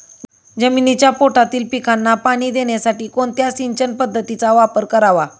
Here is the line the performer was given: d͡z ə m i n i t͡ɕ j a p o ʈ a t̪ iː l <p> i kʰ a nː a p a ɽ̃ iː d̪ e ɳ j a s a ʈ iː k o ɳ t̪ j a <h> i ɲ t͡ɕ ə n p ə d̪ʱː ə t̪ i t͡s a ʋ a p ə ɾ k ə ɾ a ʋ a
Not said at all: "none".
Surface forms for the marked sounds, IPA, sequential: p, s

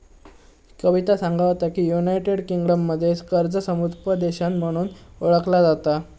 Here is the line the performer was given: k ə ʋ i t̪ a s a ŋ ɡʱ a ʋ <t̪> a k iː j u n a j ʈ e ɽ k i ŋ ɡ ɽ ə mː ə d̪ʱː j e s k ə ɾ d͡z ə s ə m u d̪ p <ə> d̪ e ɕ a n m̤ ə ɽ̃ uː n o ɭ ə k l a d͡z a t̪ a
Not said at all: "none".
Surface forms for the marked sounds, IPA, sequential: t̪, ə

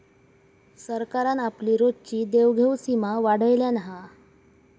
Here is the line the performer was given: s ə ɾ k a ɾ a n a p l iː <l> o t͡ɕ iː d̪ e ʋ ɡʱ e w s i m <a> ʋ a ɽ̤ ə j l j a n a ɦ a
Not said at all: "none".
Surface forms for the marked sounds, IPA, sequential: ɾ, a

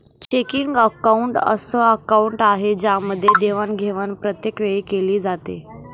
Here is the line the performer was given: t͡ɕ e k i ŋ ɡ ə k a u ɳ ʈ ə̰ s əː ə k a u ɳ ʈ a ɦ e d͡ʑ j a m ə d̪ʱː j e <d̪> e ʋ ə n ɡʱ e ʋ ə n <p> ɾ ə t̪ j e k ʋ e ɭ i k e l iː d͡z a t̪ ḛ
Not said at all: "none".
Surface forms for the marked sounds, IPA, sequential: d̪, p

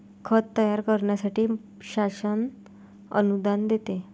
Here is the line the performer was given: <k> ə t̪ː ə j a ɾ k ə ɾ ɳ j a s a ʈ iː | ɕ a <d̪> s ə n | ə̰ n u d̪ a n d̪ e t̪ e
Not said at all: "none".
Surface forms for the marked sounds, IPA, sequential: kʰ, none

